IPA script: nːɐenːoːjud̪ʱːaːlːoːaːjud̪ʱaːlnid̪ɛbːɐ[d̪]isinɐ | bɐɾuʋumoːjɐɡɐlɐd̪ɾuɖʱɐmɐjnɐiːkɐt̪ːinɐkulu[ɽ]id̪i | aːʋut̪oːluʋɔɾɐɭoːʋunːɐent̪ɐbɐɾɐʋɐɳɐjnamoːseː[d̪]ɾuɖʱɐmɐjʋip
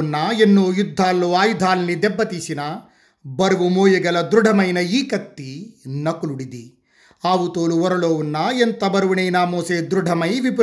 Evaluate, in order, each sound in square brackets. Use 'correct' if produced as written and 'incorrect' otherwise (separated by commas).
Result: incorrect, correct, correct